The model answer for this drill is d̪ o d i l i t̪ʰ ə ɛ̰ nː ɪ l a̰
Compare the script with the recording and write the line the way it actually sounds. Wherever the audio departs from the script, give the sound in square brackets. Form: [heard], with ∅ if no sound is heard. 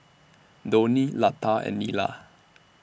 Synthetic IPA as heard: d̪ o [n] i l [a] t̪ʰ [a] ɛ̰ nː [i] l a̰